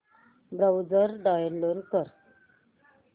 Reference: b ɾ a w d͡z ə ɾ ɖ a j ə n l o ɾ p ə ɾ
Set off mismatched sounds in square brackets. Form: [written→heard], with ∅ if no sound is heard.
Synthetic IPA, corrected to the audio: b ɾ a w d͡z ə ɾ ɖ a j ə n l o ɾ [p→k] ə ɾ